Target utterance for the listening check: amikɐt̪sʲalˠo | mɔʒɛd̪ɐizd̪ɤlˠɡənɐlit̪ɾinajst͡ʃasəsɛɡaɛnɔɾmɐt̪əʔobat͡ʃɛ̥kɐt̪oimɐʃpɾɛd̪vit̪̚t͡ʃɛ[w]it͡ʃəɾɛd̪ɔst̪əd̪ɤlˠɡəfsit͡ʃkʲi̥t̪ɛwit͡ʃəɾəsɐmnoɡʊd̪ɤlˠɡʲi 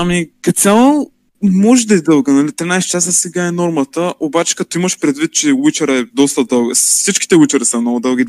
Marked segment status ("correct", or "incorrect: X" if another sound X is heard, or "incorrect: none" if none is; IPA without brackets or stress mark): correct